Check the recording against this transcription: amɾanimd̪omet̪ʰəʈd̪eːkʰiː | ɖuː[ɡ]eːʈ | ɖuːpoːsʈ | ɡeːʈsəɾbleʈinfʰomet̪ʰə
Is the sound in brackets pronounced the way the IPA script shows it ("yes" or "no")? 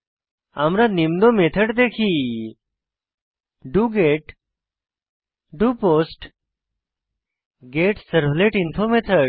yes